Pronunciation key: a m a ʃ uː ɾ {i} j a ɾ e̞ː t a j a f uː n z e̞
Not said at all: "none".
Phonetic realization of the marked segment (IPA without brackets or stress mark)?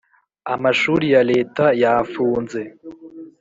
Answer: i